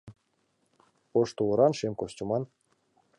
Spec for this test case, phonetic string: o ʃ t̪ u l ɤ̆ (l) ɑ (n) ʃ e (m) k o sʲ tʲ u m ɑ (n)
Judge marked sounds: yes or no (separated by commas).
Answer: no, yes, yes, yes